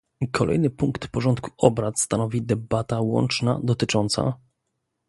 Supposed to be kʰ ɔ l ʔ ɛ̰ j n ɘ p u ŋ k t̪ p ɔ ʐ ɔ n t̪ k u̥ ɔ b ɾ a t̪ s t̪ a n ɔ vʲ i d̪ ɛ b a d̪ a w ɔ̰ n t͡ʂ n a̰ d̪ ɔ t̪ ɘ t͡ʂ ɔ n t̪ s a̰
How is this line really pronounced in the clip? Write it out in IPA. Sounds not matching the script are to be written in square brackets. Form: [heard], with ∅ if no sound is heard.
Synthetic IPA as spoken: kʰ ɔ l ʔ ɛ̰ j n ɘ p u ŋ k t̪ p ɔ ʐ ɔ n t̪ k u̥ ɔ b ɾ a t̪ s t̪ a n ɔ vʲ i d̪ ɛ b a [t̪] a w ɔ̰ n t͡ʂ n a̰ d̪ ɔ t̪ ɘ t͡ʂ ɔ n t̪ s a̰